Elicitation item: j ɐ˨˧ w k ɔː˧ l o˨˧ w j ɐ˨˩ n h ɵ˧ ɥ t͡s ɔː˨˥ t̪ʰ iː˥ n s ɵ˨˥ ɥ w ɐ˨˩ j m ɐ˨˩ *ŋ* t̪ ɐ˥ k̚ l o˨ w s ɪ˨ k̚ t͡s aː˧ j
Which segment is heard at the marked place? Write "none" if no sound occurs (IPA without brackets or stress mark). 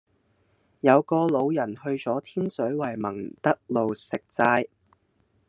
ŋ